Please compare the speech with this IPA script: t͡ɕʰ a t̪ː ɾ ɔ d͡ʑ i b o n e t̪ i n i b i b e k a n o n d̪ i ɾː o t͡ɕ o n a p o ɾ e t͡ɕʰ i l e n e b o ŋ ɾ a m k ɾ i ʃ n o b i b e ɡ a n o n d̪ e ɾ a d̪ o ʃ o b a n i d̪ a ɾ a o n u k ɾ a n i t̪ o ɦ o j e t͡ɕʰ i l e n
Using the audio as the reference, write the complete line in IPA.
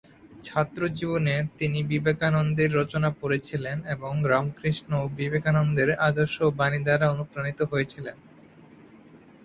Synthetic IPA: t͡ɕʰ a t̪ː ɾ o d͡ʑ i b o n e t̪ i n i b i b e k a n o n d̪ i ɾː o t͡ɕ o n a p o ɾ e t͡ɕʰ i l e n e b o ŋ ɾ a m k ɾ i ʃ n o b i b e k a n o n d̪ e ɾ a d̪ o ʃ o b a n i d̪ a ɾ a o n u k ɾ a n i t̪ o ɦ o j e t͡ɕʰ i l e n